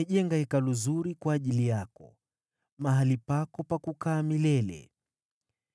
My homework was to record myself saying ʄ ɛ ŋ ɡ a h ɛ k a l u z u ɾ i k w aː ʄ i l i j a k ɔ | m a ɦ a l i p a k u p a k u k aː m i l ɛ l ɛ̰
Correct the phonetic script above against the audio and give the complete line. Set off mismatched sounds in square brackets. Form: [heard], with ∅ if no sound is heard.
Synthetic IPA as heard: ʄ ɛ ŋ ɡ a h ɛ k a l u z u ɾ i k w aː ʄ i l i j a k ɔ | m a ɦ a l i p a k [ɔ] p a k u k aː m i l ɛ l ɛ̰